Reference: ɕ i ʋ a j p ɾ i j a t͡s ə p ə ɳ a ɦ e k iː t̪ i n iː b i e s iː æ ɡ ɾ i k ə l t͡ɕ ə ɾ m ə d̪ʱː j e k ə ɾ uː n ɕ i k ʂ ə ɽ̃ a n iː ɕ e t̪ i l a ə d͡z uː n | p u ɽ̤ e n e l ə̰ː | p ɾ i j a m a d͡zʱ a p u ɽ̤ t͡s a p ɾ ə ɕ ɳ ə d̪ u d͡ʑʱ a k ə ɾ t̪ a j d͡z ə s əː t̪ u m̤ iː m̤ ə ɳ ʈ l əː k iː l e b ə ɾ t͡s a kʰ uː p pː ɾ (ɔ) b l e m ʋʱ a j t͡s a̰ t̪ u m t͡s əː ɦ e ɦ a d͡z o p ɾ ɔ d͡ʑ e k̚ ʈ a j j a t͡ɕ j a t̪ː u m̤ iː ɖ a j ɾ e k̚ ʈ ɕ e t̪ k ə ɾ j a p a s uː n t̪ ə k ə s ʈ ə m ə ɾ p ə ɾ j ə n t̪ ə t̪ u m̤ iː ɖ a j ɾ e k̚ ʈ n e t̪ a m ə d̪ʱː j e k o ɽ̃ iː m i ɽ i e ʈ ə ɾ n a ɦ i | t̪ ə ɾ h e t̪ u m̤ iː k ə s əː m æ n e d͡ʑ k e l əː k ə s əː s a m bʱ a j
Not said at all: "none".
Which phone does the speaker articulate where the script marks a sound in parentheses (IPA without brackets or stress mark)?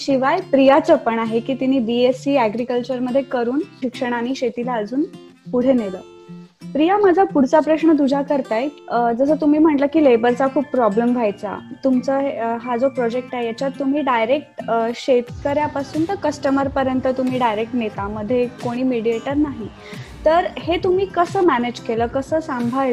ɔ